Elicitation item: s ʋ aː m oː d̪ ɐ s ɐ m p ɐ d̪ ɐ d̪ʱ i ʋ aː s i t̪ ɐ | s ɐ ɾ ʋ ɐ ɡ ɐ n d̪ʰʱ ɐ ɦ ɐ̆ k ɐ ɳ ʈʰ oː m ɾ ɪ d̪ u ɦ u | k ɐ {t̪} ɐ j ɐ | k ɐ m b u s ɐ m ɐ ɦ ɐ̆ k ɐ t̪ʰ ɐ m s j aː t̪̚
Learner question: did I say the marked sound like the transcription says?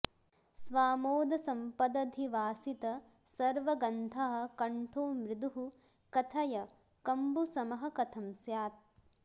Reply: no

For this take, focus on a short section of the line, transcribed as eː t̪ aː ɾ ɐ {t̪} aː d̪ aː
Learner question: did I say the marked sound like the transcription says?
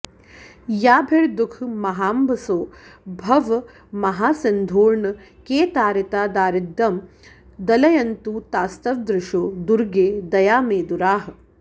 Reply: yes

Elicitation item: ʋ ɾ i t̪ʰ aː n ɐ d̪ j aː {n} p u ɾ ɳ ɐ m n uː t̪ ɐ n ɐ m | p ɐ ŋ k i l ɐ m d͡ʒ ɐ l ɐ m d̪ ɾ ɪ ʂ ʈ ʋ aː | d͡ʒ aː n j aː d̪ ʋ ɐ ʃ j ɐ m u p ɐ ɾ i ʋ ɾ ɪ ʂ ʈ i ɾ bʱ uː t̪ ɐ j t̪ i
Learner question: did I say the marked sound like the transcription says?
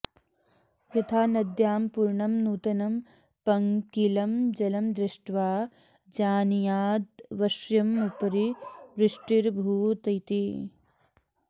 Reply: no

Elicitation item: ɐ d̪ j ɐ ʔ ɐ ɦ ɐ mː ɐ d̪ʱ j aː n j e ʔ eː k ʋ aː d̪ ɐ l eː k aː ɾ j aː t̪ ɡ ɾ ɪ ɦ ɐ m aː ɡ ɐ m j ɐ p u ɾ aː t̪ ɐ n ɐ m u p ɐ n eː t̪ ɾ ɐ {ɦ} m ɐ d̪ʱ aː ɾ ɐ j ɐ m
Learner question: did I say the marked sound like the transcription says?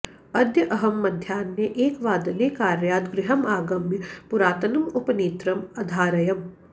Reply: no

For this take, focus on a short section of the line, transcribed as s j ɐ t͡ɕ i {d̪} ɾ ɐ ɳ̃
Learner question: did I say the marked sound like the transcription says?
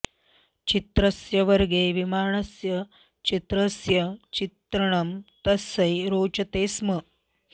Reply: no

